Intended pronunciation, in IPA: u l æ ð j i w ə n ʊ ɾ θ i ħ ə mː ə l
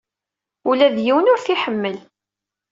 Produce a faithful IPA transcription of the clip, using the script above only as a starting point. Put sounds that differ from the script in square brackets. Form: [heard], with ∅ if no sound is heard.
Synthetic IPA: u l æ ð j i w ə n ʊ ɾ θ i ħ ə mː ə l